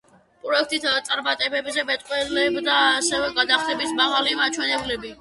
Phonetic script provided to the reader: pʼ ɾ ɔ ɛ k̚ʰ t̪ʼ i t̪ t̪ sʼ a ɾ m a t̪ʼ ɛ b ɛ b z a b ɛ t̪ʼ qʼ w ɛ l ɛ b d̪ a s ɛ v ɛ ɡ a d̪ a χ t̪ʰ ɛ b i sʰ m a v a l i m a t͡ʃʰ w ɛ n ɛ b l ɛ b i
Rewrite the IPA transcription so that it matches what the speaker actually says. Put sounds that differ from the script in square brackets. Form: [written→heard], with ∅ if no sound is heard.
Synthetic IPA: pʼ ɾ ɔ ɛ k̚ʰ t̪ʼ i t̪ t̪ sʼ a ɾ m a t̪ʼ ɛ b ɛ b z [a→ɛ] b ɛ t̪ʼ qʼ w ɛ l ɛ b d̪ a s ɛ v ɛ ɡ a d̪ a χ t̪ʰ ɛ b i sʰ m a [v→ʁ] a l i m a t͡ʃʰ w ɛ n ɛ b l ɛ b i